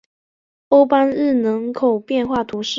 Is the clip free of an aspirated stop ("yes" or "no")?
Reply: no